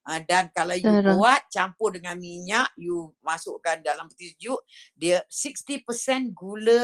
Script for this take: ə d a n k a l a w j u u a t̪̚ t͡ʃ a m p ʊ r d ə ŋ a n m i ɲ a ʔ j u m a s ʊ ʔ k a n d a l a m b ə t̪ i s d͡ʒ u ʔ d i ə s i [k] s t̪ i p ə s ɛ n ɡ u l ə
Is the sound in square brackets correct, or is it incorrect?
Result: correct